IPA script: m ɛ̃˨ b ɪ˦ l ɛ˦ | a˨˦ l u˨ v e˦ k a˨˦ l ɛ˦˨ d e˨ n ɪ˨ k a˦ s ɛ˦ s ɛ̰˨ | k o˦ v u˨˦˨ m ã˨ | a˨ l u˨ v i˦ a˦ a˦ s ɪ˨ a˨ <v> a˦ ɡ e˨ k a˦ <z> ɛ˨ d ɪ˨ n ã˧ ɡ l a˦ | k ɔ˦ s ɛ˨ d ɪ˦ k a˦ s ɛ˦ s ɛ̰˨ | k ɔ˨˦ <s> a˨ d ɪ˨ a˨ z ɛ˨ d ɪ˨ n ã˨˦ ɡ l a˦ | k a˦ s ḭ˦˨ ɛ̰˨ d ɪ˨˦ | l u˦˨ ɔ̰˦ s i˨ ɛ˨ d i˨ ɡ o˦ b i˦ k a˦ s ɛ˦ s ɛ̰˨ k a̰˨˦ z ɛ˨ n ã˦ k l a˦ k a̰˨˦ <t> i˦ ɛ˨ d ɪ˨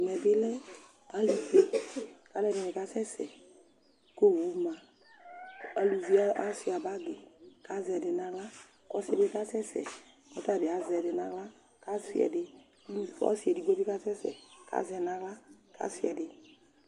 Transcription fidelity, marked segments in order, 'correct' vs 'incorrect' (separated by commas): incorrect, correct, incorrect, incorrect